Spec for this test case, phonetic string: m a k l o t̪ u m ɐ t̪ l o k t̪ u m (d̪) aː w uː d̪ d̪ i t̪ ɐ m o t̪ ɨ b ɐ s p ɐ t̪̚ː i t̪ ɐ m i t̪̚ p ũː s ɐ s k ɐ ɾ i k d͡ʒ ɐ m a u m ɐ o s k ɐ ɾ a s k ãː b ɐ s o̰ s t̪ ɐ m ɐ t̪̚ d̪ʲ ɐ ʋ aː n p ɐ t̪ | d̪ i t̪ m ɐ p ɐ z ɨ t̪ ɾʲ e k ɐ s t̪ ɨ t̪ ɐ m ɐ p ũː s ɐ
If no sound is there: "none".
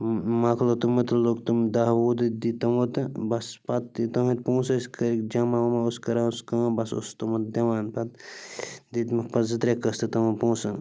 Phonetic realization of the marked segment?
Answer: d̪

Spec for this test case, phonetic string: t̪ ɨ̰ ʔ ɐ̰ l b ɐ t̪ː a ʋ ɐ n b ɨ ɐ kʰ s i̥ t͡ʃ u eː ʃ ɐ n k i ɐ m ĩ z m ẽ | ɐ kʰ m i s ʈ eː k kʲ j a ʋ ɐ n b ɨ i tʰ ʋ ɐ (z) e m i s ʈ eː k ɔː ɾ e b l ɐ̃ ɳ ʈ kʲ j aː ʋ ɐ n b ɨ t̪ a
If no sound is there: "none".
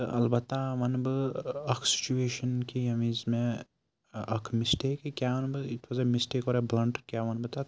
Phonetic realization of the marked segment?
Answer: z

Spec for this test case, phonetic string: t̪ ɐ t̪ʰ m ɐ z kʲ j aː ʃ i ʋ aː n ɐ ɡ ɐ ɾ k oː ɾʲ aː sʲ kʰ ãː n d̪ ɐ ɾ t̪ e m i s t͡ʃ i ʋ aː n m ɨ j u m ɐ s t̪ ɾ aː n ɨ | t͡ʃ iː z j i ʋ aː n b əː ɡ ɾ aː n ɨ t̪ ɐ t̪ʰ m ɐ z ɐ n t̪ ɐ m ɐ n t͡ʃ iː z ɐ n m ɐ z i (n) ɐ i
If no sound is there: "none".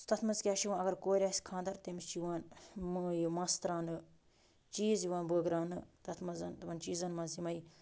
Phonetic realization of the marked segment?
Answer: m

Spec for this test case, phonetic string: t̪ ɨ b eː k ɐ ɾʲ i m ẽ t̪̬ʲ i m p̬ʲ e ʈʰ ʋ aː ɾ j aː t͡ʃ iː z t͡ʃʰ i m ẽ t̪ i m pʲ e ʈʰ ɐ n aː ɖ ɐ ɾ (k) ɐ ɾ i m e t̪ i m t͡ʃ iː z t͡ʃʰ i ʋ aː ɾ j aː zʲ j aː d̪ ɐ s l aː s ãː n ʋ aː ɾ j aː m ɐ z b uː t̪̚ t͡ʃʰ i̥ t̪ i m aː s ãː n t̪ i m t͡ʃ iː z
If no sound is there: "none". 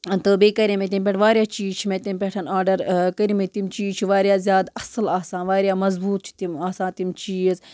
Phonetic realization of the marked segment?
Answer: k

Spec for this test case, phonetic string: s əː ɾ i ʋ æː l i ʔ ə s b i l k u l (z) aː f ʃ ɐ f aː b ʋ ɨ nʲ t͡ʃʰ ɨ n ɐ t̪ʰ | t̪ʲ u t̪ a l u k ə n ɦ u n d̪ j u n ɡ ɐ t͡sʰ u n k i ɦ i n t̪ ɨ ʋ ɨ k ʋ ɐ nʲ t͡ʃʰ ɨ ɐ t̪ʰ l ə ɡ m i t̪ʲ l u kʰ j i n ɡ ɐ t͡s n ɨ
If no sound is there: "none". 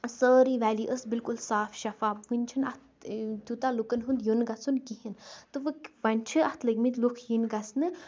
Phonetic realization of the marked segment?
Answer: s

